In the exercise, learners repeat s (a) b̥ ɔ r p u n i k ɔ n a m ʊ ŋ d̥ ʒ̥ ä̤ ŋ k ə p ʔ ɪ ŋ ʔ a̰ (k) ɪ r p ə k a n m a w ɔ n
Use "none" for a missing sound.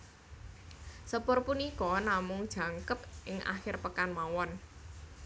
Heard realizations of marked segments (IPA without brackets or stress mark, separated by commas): ə, x